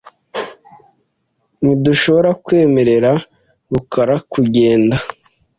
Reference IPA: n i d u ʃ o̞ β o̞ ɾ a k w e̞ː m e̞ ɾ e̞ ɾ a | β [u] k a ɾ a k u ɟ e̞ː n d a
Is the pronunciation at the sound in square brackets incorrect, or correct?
correct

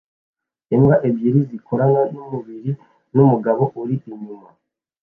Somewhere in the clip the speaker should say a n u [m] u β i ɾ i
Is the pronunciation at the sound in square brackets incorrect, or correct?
correct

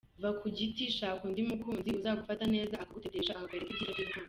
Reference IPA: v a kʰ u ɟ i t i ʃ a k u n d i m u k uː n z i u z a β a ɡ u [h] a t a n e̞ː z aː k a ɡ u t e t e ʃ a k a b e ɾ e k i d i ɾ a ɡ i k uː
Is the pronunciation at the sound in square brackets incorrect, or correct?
incorrect: f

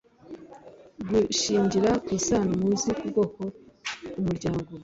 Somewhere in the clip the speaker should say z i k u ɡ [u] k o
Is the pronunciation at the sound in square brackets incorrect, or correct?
incorrect: o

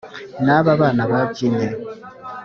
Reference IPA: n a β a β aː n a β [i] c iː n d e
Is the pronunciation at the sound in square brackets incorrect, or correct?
incorrect: a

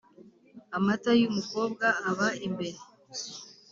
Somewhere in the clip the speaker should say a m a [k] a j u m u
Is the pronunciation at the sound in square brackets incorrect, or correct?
incorrect: t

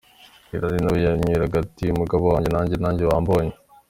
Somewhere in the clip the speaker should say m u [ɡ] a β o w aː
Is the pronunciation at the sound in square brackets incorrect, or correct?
correct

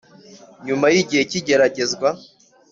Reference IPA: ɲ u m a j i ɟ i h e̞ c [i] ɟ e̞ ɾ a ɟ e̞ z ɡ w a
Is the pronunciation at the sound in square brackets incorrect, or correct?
correct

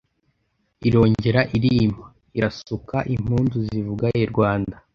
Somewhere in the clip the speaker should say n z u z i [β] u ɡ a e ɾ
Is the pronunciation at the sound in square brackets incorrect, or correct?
incorrect: v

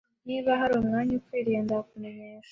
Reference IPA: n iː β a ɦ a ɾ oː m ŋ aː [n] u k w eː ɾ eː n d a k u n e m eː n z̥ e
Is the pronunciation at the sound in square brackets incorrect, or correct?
incorrect: ɲ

